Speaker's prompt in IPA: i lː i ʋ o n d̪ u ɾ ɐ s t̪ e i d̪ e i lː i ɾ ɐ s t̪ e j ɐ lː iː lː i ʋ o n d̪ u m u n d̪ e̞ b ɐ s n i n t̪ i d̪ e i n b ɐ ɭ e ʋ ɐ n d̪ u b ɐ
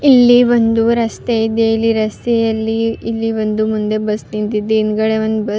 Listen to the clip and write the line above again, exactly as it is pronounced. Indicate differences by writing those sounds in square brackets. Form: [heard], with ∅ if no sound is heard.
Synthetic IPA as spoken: i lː i ʋ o n d̪ u ɾ ɐ s t̪ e i d̪ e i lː i ɾ ɐ s t̪ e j ɐ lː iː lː i ʋ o n d̪ u m u n d̪ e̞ b ɐ s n i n t̪ i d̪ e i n [ɡ] ɐ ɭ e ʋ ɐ n d̪ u b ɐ